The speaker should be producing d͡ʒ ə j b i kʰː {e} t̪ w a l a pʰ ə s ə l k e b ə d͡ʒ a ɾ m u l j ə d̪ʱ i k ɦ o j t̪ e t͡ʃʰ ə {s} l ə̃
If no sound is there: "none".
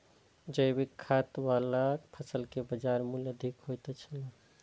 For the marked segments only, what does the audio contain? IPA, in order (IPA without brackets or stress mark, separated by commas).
a, none